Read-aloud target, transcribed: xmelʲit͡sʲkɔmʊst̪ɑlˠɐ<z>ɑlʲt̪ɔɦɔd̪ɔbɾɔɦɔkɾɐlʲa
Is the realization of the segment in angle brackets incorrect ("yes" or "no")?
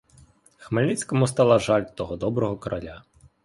yes